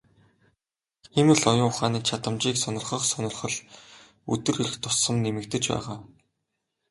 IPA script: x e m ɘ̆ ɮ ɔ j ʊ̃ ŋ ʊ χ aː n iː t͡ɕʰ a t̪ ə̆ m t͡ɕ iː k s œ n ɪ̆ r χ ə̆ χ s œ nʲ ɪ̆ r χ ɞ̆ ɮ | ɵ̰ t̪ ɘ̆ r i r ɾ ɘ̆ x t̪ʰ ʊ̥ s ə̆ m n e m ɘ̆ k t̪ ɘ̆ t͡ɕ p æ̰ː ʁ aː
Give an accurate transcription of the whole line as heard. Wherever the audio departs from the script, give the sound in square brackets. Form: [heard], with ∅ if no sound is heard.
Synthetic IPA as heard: x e m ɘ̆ ɮ ɔ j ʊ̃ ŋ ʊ χ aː n iː t͡ɕʰ a t̪ ə̆ m t͡ɕ iː k s œ n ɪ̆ r χ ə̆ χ s œ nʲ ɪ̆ r χ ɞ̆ ɮ | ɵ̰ t̪ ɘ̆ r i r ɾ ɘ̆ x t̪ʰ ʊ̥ s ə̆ m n e m ɘ̆ k t̪ ɘ̆ t͡ɕ p æ̰ː ʁ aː